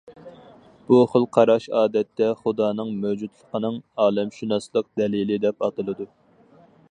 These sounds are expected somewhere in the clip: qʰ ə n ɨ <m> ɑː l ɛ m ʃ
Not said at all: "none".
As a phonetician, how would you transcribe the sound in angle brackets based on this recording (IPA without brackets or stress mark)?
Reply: ŋ